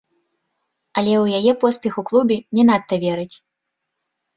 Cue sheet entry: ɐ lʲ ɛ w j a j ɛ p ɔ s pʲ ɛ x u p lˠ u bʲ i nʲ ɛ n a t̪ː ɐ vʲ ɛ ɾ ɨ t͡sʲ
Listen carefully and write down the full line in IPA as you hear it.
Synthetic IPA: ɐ lʲ ɛ w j a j ɛ p ɔ s pʲ ɛ x u k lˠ u bʲ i nʲ ɛ n a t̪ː ɐ vʲ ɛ ɾ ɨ t͡sʲ